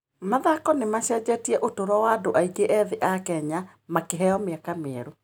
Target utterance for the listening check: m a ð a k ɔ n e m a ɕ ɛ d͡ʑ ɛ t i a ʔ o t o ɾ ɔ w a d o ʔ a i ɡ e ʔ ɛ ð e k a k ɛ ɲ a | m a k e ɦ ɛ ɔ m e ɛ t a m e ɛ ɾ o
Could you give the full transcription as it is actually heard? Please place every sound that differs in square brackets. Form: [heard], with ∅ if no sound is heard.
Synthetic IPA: m a ð a k ɔ n e m a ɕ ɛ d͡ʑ ɛ t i [ɛ] ʔ o t o ɾ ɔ w a d o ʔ a i ɡ e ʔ ɛ ð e [ʔ] a k ɛ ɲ a | m a k e ɦ ɛ ɔ m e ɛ [k] a m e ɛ ɾ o

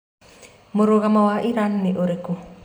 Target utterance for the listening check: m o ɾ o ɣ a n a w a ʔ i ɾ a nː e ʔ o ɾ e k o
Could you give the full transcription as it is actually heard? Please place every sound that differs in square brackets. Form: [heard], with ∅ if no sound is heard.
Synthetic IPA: m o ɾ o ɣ a [m] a w a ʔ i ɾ a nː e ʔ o ɾ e k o

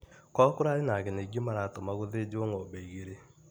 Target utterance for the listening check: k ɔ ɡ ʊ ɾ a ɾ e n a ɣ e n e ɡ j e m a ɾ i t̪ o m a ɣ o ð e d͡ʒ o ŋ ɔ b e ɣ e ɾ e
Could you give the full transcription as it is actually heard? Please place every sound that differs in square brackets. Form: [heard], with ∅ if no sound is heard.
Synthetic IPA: k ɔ [k] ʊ ɾ a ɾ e n a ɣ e n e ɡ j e m a ɾ [a] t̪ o m a ɣ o ð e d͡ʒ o ŋ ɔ b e ɣ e ɾ e

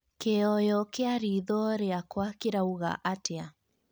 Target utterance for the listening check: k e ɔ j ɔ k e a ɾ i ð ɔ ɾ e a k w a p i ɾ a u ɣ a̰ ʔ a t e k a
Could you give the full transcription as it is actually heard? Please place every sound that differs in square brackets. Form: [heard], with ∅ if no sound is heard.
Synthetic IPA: k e ɔ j ɔ k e a ɾ i ð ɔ ɾ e a k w a [k] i ɾ a u ɣ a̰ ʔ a t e [∅] a

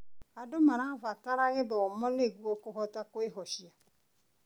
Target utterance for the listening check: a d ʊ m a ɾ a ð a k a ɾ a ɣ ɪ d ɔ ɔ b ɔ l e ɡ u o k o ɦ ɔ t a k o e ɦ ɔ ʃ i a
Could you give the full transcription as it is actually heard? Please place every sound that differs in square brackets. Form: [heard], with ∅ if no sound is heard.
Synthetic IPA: a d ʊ m a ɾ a [v] a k a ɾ a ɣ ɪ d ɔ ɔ [m] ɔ l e ɡ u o k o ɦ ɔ t a k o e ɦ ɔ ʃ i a

